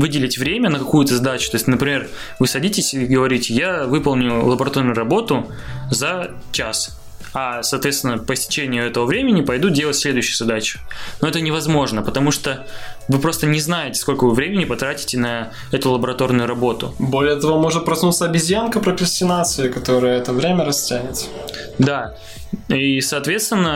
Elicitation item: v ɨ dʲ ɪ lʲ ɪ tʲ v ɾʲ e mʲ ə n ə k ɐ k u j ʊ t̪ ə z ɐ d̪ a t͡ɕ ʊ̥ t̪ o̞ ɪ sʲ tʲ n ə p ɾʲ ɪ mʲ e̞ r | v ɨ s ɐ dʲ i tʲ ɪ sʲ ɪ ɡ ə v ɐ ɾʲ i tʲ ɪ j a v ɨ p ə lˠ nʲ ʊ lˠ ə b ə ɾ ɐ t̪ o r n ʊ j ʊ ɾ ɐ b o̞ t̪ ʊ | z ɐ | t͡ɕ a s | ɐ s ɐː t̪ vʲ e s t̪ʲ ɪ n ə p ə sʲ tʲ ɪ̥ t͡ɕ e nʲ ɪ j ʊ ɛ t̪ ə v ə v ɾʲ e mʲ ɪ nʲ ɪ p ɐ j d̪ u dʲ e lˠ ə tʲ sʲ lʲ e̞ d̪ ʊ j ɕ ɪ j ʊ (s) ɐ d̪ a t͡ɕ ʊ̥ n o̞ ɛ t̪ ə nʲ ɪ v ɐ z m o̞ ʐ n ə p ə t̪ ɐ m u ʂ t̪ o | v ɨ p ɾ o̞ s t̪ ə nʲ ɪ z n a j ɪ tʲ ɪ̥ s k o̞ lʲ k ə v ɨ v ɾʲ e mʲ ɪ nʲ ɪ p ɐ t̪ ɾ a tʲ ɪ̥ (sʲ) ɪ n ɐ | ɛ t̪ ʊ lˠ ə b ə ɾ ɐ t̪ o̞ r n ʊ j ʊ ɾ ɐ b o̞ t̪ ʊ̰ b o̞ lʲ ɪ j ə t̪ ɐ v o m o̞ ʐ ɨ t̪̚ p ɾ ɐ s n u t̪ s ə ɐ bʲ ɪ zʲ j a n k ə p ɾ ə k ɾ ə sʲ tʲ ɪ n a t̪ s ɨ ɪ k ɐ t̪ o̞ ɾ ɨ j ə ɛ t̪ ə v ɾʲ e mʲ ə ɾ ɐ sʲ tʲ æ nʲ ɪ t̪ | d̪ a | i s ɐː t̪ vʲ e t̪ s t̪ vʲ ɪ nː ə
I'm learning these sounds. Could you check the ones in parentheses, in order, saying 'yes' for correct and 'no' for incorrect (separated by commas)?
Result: no, no